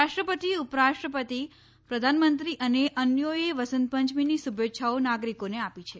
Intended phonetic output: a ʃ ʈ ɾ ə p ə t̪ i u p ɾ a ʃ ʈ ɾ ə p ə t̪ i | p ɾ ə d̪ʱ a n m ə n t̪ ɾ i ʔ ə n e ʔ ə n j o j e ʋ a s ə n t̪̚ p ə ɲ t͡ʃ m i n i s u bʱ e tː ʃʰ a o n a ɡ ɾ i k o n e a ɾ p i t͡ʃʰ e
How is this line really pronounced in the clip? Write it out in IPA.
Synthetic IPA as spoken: a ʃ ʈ ɾ ə p ə t̪ i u p ɾ a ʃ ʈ ɾ ə p ə t̪ i | p ɾ ə d̪ʱ a n m ə n t̪ ɾ i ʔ ə n e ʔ ə n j o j e ʋ ə s ə n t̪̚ p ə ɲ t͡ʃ m i n i s u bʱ e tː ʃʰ a o n a ɡ ɾ i k o n e a p i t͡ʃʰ e